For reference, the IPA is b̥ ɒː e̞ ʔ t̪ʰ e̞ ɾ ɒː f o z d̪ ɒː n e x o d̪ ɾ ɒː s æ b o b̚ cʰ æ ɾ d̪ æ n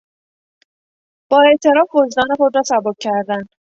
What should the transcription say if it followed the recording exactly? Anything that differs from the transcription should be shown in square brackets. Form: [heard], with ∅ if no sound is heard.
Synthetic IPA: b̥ ɒː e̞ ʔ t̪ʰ e̞ ɾ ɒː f o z d̪ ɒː n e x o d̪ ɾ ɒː s æ b o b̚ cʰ æ ɾ d̪ æ n